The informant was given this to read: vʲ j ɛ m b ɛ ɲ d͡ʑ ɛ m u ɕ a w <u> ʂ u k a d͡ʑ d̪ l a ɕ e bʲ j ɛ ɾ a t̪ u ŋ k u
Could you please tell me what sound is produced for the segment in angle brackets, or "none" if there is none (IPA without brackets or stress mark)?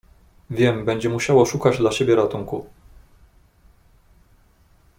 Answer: ɔ